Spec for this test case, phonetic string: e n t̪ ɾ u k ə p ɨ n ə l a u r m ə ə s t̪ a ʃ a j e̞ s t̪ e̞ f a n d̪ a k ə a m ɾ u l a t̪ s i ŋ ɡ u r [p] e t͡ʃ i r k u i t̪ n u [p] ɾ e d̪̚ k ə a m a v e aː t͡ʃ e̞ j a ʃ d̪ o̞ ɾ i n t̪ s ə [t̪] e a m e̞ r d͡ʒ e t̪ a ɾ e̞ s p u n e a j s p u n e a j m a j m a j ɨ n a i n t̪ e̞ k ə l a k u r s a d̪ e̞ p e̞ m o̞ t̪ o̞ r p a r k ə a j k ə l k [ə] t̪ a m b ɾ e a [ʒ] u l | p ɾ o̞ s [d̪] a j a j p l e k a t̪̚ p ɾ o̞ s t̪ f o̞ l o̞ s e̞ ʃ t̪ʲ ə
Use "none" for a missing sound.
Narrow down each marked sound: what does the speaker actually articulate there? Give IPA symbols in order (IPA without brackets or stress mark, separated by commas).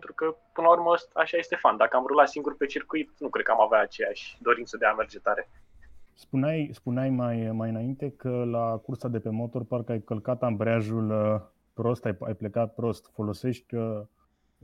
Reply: p, k, d̪, a, ʒ, t̪